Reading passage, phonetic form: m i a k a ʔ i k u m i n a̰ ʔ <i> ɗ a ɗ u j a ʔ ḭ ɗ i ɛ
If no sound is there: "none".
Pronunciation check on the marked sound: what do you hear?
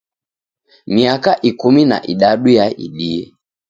i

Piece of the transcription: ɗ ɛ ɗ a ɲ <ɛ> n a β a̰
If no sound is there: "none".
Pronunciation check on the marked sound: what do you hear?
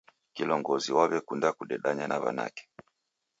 a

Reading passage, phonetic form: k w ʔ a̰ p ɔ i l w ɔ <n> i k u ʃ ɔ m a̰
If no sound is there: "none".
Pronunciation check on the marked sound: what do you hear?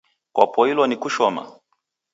n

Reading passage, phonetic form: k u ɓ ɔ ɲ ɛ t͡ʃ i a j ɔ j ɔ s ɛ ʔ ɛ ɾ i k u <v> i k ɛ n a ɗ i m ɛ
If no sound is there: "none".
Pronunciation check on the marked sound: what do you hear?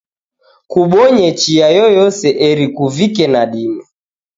v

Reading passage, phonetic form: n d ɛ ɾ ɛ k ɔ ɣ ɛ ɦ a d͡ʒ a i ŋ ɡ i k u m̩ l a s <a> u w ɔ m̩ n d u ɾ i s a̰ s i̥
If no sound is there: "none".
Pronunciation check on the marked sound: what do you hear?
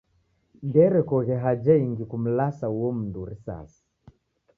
a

